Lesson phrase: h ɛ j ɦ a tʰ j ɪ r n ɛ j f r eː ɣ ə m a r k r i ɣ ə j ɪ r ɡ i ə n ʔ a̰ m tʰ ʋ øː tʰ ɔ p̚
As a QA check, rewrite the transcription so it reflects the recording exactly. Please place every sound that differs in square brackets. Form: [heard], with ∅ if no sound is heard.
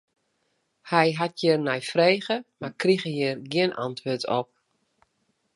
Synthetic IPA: h ɛ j ɦ a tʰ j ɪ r n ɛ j f r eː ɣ ə m a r k r i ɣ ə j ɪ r ɡ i ə n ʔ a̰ [n] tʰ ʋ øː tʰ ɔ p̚